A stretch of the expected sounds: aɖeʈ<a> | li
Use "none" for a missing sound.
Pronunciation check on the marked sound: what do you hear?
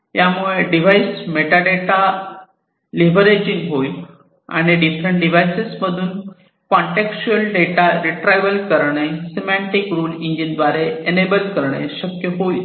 a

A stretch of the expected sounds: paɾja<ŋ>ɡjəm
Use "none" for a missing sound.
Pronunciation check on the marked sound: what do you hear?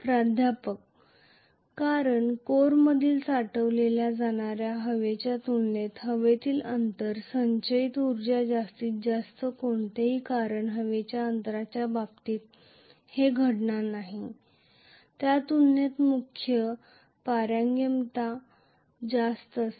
ŋ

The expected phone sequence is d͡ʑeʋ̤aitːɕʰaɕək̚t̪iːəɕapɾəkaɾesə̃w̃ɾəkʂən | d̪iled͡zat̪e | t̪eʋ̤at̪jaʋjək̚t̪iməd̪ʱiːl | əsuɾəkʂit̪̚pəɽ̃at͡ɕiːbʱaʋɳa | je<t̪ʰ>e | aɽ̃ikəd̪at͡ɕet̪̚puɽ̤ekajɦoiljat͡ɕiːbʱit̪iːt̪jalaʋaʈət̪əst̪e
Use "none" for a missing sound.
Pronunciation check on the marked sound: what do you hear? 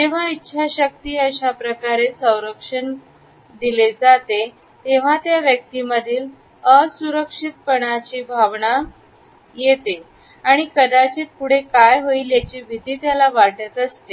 t̪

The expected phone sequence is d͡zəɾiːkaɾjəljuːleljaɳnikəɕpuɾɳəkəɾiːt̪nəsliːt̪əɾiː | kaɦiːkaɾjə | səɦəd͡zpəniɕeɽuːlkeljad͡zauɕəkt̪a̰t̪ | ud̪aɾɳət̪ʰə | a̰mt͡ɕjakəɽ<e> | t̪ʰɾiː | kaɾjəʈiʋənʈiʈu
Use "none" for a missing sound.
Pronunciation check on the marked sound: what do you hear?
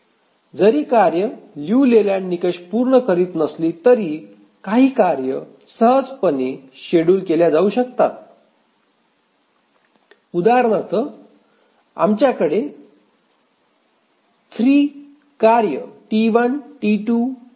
e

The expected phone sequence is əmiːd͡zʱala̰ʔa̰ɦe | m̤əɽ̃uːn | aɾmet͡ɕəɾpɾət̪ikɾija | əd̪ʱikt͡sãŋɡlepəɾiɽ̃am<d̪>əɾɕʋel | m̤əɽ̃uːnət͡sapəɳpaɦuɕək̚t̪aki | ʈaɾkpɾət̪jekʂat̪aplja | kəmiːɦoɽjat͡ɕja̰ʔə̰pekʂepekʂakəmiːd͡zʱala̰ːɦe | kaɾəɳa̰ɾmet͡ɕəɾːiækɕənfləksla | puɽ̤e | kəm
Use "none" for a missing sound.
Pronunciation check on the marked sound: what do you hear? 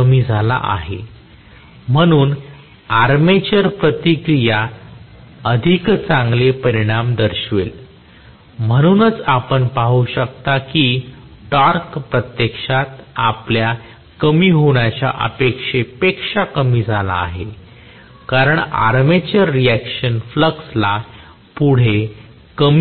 d̪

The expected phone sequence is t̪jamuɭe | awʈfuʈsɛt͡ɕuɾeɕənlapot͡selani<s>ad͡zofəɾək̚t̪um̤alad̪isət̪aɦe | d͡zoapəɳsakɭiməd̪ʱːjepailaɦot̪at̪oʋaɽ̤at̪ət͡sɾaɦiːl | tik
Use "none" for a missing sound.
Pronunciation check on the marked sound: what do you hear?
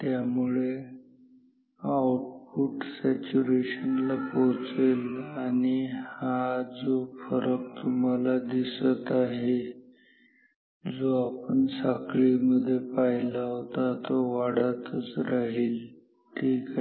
h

